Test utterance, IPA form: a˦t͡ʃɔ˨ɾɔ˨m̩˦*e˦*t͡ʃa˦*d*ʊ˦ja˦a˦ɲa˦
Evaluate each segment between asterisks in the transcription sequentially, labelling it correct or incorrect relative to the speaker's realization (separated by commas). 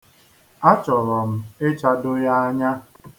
correct, correct